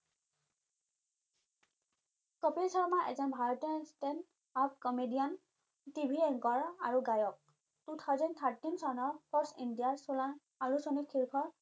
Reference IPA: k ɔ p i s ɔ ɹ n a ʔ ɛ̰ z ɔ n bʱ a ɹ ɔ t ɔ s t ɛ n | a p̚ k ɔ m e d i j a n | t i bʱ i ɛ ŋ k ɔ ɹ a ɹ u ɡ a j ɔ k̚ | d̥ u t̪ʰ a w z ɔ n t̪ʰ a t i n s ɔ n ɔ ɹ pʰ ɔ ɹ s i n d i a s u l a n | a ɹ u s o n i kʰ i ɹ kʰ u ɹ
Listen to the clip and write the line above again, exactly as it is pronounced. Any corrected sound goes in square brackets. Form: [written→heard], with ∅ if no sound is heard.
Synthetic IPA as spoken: k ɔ p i s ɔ ɹ [n→m] a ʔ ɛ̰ z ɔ n bʱ a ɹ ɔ t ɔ s t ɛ n | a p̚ k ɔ m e d i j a n | t i bʱ i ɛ ŋ k ɔ ɹ a ɹ u ɡ a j ɔ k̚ | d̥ u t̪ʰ a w z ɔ n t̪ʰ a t i n s ɔ n ɔ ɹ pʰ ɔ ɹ s i n d i a s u l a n | a ɹ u s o n i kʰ i ɹ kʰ [u→ɔ] ɹ